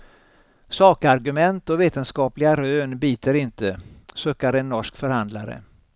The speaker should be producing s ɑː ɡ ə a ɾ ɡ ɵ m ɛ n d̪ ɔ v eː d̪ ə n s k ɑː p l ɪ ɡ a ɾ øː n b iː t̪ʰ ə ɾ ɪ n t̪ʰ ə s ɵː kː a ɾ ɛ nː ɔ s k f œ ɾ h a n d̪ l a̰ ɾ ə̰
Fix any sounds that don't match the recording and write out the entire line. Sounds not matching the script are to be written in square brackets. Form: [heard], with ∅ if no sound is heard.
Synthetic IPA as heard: s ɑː [k] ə a ɾ ɡ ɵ m ɛ n [t̪] ɔ v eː [t̪] ə n s k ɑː p l ɪ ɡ a ɾ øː n b iː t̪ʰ ə ɾ ɪ n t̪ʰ ə s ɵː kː a ɾ ɛ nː ɔ [ʂ] k f œ ɾ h a n d̪ l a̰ ɾ ə̰